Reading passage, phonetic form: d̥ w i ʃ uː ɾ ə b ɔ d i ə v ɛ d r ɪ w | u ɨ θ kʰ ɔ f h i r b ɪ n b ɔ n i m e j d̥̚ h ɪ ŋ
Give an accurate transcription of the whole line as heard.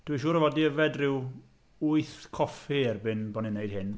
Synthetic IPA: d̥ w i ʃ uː ɾ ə v ɔ d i ə v ɛ d r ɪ w | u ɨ θ kʰ ɔ f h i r b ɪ n b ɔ n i n e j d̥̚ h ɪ n